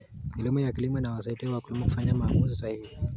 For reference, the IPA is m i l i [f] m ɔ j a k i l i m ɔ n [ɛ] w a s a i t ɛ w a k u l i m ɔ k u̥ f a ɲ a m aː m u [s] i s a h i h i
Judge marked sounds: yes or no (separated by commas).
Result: no, no, no